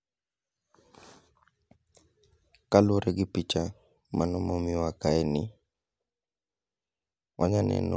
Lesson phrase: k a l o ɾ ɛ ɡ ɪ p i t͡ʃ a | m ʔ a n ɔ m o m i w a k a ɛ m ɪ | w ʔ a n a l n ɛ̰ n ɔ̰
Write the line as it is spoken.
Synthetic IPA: k a l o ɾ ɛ ɡ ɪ p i t͡ʃ a | m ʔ a n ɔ m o m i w a k a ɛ n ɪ | w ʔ a ɲ a n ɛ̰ n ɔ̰